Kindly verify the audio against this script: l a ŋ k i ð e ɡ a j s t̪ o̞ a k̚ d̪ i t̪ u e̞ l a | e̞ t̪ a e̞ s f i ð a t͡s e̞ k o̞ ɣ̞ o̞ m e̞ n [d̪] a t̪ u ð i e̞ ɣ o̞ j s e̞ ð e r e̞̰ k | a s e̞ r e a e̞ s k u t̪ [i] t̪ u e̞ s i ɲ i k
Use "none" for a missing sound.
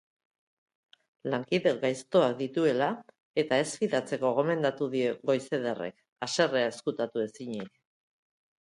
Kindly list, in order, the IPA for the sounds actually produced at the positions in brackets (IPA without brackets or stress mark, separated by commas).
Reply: d̪, a